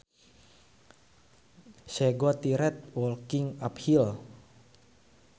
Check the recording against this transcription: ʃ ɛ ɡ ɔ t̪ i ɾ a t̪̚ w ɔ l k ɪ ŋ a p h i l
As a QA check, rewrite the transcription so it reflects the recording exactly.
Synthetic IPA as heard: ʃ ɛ ɡ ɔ t̪ i ɾ ɛ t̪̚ w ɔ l k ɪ ŋ a p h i l